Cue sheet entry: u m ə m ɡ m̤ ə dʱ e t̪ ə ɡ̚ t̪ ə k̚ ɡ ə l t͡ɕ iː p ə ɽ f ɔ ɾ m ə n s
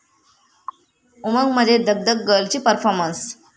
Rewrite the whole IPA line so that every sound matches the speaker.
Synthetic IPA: u m ə ŋ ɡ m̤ ə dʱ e d̪ ə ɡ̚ d̪ ə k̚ ɡ ə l t͡ɕ iː p ə ɾ f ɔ ɾ m ə n s

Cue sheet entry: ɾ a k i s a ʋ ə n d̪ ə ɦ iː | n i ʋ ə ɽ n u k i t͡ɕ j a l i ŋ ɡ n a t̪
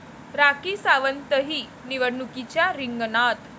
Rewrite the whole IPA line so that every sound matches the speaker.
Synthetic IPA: ɾ a k i s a ʋ ə n t̪ ə ɦ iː | n i ʋ ə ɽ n u k i t͡ɕ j a ɾ i ŋ ɡ n a t̪

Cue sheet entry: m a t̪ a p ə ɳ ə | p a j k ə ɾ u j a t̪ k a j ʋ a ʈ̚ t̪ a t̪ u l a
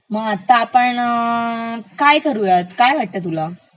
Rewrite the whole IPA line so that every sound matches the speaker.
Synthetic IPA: m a t̪ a p ə ɳ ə | k a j k ə ɾ u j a t̪ k a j ʋ a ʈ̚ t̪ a t̪ u l a

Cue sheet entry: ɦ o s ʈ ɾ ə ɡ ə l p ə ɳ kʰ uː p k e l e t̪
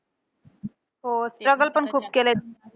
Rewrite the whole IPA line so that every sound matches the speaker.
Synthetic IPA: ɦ o s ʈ ɾ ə ɡ ə l p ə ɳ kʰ uː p k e l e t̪

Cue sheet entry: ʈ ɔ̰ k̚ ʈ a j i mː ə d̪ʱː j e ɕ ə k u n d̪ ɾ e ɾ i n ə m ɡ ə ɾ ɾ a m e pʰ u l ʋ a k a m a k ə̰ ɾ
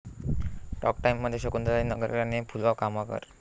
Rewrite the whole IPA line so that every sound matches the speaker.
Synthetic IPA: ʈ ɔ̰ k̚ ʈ a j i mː ə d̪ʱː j e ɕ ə k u n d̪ ɾ a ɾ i n ə ɡ ə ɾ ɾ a n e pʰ u l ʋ a k a m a k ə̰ ɾ

